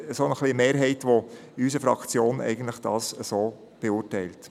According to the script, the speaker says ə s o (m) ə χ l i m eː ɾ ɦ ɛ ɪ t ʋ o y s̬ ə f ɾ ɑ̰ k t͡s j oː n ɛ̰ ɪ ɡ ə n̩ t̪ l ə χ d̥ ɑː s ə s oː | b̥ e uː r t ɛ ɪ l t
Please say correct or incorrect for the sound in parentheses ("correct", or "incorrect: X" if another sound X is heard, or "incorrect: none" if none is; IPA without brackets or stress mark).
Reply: incorrect: n